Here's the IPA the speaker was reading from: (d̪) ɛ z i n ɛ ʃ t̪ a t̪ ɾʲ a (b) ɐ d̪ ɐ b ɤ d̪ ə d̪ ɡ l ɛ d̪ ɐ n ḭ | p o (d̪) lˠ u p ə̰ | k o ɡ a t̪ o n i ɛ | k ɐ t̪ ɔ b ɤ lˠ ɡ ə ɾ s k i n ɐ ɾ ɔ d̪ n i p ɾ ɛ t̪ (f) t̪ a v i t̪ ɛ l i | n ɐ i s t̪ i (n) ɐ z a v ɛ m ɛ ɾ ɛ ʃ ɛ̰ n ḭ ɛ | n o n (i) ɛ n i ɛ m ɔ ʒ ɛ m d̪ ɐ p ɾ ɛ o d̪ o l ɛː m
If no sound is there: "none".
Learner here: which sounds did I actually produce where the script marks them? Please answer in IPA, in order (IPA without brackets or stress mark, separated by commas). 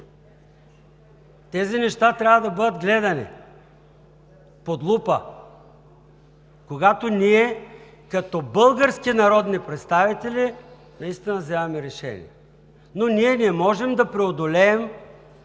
t̪, v, d̪, s, n, i